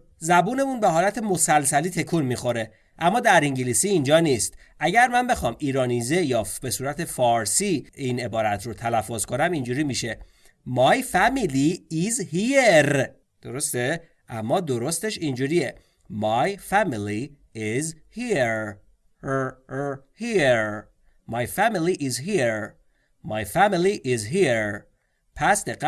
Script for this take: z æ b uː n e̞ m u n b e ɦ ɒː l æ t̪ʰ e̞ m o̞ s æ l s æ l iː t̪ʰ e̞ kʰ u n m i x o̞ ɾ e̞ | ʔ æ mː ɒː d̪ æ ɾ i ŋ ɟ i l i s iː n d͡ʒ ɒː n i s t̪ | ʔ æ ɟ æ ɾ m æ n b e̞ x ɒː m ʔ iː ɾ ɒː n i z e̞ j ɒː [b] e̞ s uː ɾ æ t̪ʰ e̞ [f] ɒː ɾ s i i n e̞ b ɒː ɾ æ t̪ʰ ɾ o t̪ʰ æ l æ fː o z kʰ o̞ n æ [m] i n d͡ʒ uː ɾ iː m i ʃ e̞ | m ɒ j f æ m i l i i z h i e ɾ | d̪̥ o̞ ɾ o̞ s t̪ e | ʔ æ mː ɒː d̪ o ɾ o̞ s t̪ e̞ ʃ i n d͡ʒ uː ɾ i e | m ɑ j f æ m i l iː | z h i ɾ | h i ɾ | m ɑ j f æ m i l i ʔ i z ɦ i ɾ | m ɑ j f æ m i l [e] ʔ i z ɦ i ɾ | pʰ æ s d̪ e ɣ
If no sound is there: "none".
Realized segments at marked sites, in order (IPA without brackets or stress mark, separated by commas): b, f, m, i